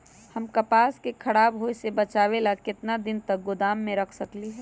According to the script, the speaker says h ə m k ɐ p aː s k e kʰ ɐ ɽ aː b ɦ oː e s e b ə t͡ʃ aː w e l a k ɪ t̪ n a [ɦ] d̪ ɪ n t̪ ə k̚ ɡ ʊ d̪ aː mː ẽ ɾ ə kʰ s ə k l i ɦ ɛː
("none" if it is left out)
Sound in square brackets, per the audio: none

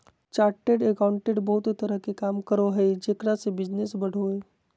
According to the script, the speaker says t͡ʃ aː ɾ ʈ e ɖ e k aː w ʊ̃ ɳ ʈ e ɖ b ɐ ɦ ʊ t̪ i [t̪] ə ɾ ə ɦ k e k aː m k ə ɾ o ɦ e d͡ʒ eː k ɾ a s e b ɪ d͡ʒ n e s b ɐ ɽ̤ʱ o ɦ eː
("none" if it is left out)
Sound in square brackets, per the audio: t̪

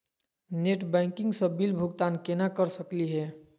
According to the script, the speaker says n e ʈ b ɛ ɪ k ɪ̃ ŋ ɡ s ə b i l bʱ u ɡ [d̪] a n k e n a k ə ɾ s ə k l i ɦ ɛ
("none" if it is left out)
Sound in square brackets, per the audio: t̪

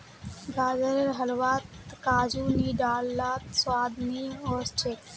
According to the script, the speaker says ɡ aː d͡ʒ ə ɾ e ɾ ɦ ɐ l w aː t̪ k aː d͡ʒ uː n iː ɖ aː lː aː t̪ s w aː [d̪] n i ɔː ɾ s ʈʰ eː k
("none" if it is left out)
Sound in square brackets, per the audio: d̪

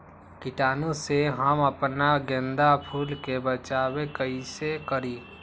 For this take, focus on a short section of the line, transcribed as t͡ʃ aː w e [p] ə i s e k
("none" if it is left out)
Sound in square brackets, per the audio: k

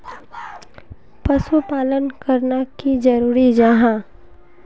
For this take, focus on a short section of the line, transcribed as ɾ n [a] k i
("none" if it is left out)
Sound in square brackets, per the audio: a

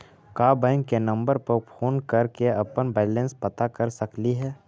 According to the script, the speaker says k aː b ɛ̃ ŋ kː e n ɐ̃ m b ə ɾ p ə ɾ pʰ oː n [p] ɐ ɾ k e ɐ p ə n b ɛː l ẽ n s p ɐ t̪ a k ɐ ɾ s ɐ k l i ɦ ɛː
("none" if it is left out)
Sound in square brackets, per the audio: k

